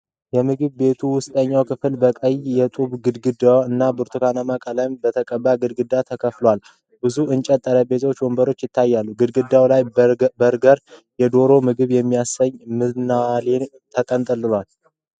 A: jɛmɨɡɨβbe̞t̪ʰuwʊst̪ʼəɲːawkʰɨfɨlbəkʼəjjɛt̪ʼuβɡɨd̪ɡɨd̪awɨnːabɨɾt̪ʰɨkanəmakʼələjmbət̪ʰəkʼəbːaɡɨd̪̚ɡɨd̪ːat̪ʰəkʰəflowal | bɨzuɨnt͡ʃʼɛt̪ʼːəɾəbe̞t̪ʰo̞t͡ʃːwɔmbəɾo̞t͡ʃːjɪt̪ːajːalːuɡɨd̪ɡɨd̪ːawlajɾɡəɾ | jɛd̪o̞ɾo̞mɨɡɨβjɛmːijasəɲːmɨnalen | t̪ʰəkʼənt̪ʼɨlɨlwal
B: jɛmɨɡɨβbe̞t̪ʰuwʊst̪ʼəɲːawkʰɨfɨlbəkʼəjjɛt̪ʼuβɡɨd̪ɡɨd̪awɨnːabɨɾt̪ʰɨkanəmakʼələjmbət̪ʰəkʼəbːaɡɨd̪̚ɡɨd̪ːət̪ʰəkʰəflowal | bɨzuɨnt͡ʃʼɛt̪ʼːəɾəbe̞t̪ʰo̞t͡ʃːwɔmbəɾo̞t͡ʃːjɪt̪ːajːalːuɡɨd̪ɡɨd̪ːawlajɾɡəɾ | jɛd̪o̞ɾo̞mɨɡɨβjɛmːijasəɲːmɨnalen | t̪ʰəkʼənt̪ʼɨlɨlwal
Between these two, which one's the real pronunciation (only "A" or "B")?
A